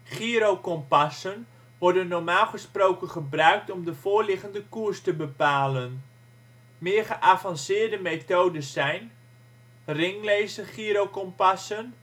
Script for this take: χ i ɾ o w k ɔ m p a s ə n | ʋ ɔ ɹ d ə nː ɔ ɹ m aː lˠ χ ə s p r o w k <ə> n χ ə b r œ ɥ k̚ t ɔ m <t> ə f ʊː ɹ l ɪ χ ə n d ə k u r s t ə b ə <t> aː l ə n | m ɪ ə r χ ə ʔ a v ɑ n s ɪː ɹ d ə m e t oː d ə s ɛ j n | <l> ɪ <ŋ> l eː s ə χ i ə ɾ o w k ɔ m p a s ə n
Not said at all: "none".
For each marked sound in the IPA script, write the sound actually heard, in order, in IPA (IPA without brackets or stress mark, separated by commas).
ə, d, p, r, ŋ